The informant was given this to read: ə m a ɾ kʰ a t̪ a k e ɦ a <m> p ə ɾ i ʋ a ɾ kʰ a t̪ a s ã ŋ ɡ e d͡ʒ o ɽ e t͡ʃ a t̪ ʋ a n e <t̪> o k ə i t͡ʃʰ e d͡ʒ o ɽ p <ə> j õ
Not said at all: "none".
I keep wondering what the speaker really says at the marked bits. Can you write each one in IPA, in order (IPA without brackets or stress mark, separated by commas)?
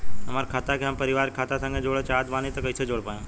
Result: m, t̪, a